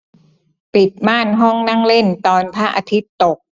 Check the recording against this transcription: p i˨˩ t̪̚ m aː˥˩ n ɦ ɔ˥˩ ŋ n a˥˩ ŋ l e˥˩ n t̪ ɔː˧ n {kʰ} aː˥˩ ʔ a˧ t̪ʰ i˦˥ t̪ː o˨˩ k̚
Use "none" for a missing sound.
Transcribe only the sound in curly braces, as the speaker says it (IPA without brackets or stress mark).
pʰ